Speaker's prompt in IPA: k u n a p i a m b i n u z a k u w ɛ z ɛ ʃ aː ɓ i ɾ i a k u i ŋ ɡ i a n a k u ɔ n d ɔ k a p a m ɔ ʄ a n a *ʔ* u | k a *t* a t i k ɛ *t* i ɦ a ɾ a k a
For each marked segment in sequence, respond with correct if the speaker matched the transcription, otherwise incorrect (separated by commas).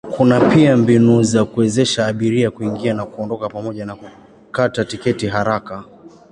incorrect, correct, correct